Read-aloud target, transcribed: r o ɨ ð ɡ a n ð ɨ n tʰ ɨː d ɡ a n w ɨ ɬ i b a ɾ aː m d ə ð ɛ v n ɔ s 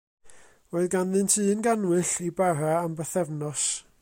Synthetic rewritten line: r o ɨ ð ɡ a n ð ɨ n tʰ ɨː n ɡ a n w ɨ ɬ i b a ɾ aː m b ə θ ɛ v n ɔ s